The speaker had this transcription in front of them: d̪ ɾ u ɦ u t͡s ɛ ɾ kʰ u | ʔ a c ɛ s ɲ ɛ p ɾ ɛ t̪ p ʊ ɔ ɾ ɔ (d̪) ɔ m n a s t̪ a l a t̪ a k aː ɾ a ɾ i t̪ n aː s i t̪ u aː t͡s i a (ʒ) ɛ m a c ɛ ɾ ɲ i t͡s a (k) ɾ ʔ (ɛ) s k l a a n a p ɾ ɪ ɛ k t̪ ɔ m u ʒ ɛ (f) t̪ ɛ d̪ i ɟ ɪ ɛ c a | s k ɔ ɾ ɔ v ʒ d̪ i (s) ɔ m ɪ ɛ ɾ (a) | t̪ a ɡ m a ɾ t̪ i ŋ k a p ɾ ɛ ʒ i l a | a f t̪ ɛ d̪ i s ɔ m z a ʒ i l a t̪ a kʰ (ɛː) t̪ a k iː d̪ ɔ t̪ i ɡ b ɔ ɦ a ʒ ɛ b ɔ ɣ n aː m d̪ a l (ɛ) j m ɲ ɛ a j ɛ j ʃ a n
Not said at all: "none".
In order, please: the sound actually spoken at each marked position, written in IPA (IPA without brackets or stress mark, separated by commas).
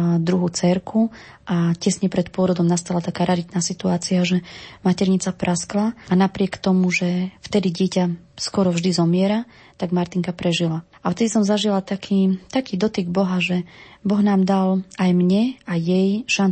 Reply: d̪, ʒ, p, a, f, z, a, iː, a